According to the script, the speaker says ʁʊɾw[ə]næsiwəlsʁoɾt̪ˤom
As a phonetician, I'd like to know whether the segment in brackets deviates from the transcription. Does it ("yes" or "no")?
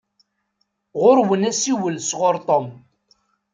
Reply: no